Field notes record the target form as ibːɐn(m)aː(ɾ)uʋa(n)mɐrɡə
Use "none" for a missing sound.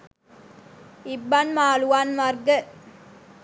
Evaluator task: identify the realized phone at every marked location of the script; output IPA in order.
m, l, n

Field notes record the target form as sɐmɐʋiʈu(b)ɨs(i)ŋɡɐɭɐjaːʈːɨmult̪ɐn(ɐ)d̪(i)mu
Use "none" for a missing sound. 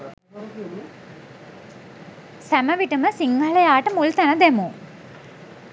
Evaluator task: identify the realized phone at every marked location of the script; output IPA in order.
m, i, ɐ, e

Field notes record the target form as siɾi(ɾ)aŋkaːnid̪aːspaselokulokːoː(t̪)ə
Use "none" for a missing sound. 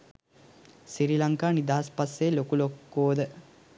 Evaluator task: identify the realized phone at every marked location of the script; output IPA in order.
l, d̪

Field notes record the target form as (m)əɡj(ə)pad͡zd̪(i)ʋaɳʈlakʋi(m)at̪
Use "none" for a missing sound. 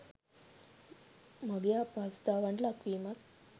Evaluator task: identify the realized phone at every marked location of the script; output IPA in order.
m, a, a, m

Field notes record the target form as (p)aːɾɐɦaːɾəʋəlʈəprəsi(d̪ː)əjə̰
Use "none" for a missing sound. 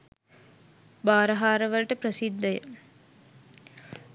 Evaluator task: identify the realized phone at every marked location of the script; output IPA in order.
b, d̪ː

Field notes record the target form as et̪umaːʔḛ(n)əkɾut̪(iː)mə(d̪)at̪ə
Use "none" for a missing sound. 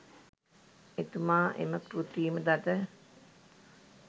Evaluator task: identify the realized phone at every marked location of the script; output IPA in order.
m, iː, d̪

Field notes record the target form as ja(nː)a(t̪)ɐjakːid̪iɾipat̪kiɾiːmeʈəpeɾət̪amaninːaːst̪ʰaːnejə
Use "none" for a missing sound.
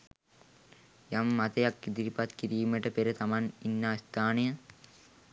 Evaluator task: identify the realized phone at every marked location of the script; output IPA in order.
mː, t̪

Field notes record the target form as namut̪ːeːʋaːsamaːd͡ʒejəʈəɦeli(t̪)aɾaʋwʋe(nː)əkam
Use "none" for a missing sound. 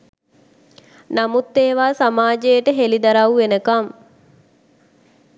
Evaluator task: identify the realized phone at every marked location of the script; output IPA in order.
d̪, n

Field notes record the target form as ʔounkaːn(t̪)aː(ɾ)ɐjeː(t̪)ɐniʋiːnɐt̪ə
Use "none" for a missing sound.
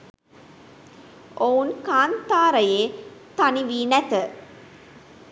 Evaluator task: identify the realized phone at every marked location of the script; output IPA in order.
t̪, ɾ, t̪

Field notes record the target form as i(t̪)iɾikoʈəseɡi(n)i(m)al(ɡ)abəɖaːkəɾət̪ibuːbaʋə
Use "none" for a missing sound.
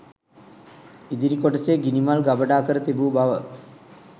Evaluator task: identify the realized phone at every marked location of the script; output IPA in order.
d̪, n, m, ɡ

